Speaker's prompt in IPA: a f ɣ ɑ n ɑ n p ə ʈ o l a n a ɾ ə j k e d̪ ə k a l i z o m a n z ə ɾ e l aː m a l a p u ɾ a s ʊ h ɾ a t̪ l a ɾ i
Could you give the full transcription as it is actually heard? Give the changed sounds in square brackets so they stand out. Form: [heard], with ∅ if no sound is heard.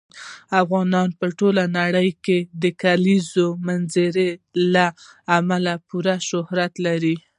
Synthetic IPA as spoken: a f ɣ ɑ n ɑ n p ə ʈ o l a n a [ɽ] ə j k e d̪ ə k a l i z o m a n z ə ɾ e l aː m a l a p u ɾ a [ʃ] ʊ h ɾ a t̪ l a ɾ i